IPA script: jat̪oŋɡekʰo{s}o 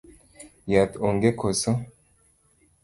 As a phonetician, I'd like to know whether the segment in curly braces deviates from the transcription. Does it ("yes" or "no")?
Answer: no